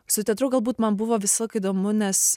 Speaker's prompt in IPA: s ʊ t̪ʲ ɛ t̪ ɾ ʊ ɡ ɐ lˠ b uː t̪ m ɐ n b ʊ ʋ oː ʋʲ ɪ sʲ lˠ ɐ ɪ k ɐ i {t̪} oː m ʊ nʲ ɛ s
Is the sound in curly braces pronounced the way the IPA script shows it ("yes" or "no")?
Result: no